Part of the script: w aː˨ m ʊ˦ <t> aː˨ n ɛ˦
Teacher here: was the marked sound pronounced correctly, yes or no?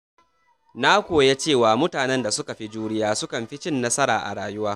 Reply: yes